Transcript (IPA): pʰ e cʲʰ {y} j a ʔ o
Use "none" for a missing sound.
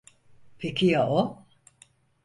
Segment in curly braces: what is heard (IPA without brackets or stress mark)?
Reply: i